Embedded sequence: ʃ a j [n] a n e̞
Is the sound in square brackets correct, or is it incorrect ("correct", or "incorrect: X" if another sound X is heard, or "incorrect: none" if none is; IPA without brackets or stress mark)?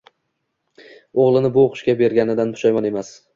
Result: incorrect: m